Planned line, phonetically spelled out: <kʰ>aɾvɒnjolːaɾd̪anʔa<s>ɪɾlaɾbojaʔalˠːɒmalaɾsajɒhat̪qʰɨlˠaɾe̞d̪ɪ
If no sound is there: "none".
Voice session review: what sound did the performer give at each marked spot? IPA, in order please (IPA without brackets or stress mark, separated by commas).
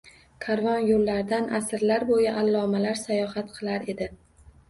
kʰ, s